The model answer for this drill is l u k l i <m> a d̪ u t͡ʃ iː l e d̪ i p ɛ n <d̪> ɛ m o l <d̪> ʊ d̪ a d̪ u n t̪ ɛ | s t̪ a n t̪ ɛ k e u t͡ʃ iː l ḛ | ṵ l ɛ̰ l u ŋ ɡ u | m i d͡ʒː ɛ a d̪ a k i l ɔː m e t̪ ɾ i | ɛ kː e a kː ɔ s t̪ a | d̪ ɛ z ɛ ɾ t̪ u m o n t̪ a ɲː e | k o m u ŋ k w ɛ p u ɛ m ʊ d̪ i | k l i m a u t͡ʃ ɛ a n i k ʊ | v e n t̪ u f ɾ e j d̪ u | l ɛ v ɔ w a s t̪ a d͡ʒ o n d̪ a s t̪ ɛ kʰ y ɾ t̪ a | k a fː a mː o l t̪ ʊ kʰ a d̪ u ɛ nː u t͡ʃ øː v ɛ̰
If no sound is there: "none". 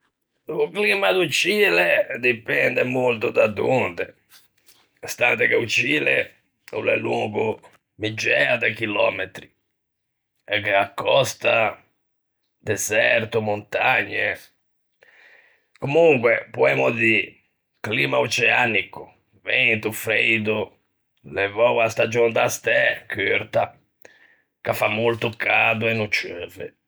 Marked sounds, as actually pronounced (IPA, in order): m, d̪, t̪

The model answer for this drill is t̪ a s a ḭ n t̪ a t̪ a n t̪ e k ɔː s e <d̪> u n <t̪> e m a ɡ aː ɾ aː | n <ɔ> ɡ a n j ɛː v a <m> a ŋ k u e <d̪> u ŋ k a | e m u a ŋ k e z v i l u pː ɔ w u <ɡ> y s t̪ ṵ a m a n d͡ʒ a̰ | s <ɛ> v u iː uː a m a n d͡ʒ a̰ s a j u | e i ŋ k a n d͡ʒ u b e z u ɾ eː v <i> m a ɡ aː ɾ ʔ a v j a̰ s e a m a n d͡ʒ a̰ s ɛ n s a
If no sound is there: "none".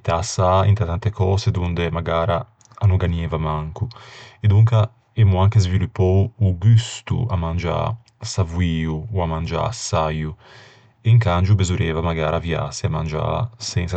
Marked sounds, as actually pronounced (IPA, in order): d̪, d̪, u, m, d̪, ɡ, a, a

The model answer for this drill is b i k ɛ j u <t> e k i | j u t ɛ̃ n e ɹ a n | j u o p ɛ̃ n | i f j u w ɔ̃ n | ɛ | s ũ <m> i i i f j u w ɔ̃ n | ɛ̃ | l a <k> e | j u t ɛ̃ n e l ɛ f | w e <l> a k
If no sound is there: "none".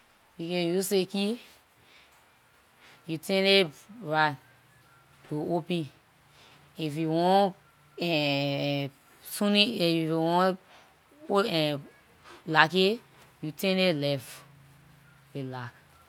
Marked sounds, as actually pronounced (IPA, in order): s, n, k, l

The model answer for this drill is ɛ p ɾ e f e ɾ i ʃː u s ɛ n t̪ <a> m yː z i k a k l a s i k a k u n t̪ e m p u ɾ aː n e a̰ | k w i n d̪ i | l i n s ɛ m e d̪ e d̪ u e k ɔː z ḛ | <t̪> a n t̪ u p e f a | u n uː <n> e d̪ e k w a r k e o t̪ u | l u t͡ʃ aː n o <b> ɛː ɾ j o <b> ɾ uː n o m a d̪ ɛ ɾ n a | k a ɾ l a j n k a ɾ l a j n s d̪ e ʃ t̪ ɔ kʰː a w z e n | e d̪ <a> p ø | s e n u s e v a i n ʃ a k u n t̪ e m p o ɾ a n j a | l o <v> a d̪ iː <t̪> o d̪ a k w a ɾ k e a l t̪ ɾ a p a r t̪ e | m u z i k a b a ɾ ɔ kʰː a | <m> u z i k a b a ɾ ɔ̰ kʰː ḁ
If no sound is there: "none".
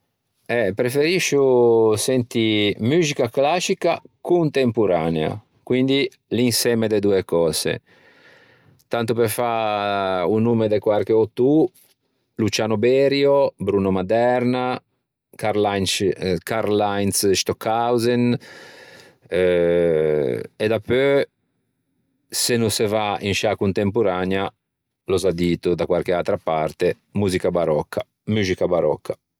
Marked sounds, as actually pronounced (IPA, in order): i, t̪, m, b, b, a, z, t̪, m

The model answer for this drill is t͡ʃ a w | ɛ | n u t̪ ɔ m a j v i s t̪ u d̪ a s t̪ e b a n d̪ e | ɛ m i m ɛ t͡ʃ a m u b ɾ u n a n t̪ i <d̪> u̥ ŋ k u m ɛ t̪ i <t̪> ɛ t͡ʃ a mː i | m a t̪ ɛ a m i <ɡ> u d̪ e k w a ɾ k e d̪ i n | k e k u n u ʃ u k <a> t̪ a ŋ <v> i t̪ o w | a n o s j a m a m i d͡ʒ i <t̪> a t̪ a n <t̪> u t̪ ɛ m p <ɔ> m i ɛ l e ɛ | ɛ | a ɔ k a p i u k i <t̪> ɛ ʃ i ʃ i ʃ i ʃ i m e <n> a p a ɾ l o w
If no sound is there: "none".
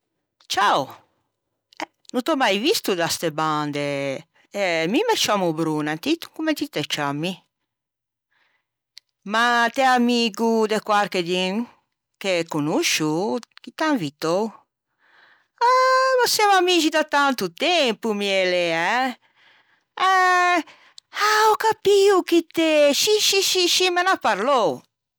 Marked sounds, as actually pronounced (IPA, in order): t̪, t̪, ɡ, i, v, d̪, t̪, u, t̪, n

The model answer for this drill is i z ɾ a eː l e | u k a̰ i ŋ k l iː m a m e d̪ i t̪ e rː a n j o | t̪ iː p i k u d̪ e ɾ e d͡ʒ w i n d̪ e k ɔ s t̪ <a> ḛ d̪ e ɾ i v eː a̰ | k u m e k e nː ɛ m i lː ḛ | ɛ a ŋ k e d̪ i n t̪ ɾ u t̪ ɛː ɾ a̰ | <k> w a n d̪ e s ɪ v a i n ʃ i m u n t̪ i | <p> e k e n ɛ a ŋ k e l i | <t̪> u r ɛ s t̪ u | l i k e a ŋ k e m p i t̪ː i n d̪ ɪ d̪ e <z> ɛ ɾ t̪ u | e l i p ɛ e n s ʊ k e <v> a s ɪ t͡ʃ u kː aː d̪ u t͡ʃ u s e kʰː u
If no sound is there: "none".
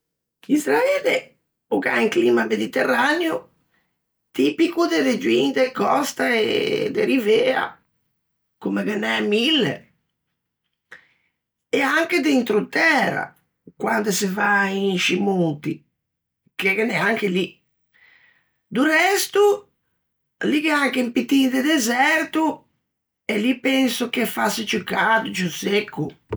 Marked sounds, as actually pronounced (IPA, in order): a, k, k, d̪, z, f

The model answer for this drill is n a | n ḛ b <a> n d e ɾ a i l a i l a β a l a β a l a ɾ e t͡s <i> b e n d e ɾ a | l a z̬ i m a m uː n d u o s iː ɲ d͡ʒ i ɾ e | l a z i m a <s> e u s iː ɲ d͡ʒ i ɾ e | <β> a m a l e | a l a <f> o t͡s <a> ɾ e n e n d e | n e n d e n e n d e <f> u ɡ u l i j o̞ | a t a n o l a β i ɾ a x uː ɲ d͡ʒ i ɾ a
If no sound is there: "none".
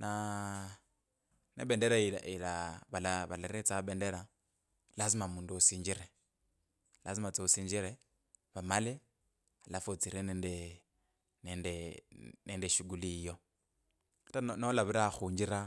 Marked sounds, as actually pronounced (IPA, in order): e, a, t͡s, β, f, i, ʃ

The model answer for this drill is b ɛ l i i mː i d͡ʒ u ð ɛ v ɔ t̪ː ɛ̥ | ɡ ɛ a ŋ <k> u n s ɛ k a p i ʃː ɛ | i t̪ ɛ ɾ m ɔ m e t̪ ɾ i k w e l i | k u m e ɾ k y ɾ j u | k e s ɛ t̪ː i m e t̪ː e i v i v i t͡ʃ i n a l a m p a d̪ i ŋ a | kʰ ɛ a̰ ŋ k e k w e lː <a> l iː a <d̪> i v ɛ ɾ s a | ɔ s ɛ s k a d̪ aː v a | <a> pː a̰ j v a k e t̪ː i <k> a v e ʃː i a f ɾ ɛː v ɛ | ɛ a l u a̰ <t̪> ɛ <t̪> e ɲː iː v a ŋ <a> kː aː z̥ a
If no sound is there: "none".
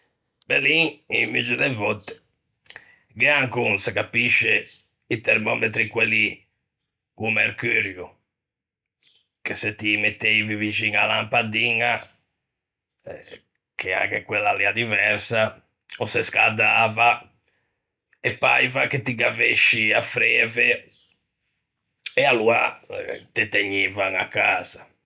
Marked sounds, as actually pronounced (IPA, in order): k, a, d̪, ɛ, ɡ, t̪, t̪, a

